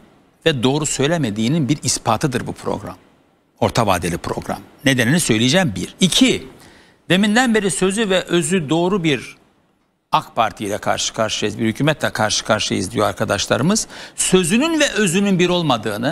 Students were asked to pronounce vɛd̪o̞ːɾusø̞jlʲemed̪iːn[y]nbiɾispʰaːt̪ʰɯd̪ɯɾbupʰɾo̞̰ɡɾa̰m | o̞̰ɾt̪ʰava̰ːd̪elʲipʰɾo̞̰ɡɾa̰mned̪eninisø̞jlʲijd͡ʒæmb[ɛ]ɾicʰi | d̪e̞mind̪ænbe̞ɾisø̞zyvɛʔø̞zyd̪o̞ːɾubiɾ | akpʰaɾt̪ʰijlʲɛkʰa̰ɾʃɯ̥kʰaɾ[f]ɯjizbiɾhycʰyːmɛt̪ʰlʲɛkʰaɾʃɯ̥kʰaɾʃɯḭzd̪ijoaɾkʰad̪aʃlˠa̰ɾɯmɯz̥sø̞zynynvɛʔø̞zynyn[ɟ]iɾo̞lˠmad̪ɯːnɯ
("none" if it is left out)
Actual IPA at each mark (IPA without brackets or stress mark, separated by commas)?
i, i, ʃ, b